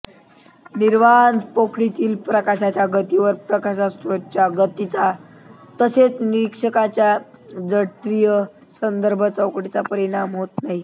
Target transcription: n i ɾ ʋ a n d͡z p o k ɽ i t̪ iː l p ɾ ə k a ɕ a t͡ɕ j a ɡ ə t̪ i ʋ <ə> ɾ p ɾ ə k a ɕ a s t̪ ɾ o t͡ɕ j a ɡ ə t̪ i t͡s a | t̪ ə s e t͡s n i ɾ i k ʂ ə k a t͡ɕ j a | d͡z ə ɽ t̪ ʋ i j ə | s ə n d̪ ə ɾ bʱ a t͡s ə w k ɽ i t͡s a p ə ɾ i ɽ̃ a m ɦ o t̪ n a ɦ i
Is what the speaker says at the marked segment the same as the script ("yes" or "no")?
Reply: yes